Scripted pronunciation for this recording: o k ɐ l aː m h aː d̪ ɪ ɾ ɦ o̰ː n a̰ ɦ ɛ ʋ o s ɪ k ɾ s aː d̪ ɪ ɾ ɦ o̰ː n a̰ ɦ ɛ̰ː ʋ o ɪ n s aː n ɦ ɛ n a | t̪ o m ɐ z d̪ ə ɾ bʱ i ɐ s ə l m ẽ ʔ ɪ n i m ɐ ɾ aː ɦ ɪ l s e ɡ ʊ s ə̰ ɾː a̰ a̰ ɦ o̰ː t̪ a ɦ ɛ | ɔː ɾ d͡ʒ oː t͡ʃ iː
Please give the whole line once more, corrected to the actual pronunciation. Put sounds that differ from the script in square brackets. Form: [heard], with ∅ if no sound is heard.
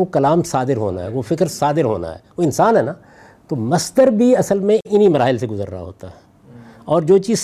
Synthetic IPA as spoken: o k ɐ l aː m [s] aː d̪ ɪ ɾ ɦ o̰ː n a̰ ɦ ɛ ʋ o [f] ɪ k ɾ s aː d̪ ɪ ɾ ɦ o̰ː n a̰ ɦ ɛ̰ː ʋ o ɪ n s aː n ɦ ɛ n a | t̪ o m ɐ [s] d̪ ə ɾ bʱ i ɐ s ə l m ẽ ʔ ɪ n i m ɐ ɾ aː ɦ ɪ l s e ɡ ʊ [z] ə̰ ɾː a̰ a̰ ɦ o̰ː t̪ a ɦ ɛ | ɔː ɾ d͡ʒ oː t͡ʃ iː